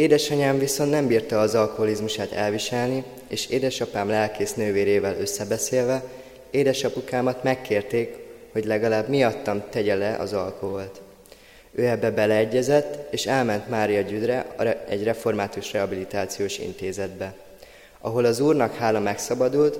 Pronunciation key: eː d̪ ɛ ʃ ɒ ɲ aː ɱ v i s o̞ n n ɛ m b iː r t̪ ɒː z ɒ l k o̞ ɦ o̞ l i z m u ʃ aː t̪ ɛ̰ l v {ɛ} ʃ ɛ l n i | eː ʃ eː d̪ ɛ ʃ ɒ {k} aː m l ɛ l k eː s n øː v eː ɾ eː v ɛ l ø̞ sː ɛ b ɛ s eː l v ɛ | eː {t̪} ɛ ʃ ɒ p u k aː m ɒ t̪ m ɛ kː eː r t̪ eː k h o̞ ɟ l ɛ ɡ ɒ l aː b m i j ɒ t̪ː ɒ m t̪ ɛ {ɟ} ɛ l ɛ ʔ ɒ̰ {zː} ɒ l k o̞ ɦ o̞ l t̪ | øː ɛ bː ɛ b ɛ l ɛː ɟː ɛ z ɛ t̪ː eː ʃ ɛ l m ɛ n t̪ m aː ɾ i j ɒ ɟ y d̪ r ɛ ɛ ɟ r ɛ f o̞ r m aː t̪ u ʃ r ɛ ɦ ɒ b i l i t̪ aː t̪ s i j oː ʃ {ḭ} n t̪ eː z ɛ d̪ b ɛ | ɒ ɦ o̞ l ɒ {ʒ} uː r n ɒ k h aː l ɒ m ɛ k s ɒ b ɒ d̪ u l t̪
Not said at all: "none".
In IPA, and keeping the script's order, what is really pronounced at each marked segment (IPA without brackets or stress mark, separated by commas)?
i, p, d̪, ɟ, z, ḭ, z